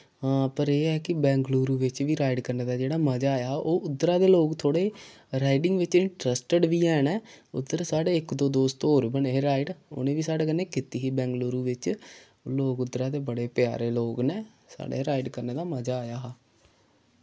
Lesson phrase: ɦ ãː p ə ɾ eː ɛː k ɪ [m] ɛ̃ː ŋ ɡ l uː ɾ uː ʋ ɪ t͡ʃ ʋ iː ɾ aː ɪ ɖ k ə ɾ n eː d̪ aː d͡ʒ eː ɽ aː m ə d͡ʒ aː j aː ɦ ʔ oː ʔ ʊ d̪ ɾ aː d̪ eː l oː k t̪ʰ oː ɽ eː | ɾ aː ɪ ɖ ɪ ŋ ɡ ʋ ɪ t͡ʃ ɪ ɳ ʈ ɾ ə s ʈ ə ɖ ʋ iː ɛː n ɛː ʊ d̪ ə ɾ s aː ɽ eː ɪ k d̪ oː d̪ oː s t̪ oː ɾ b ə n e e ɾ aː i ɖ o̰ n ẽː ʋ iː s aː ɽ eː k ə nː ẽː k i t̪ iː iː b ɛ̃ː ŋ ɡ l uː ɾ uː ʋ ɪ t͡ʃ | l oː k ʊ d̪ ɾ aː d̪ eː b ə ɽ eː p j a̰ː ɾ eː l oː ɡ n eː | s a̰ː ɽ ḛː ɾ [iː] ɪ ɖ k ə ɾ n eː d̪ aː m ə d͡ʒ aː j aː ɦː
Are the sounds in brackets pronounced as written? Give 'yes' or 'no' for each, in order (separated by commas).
no, no